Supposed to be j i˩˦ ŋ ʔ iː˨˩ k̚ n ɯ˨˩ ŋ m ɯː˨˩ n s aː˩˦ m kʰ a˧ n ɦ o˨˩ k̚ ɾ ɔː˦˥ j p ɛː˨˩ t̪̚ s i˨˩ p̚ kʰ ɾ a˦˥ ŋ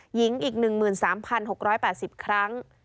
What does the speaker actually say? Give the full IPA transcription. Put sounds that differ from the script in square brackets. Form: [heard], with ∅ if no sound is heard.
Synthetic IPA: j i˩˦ ŋ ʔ iː˨˩ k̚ n ɯ˨˩ ŋ m ɯː˨˩ n s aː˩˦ m [pʰ] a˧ n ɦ o˨˩ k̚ ɾ ɔː˦˥ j p ɛː˨˩ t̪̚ s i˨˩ p̚ kʰ ɾ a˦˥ ŋ